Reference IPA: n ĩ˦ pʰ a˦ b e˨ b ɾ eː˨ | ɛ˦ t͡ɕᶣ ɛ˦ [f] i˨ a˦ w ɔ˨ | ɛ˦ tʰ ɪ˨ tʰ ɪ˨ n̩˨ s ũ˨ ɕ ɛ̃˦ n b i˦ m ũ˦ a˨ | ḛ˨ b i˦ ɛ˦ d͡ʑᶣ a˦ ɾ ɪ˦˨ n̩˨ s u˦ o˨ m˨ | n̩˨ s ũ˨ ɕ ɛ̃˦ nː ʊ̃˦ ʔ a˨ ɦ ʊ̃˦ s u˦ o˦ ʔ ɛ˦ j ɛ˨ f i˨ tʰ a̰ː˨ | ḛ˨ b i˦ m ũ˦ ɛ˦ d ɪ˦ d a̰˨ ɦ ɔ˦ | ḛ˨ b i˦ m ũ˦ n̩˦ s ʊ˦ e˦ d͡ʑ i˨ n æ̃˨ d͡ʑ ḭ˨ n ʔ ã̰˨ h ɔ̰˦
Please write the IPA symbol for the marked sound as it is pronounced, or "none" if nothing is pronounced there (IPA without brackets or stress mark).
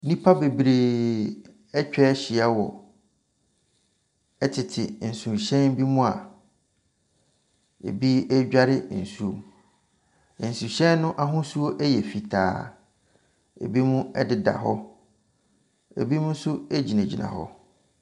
ɕ